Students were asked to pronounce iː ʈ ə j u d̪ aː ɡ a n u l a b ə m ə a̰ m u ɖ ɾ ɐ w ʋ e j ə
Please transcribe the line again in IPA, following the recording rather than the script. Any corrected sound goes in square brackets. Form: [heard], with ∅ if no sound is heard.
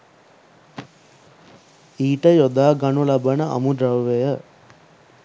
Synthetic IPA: iː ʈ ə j [o] d̪ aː ɡ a n u l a b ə [n] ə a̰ m u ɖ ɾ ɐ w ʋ e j ə